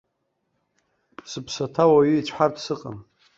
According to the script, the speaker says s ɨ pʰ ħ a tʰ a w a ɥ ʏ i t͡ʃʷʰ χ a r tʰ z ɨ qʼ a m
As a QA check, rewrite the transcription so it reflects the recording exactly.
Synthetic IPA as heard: s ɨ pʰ s a tʰ a w a ɥ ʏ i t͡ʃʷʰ ħ a r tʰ s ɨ qʼ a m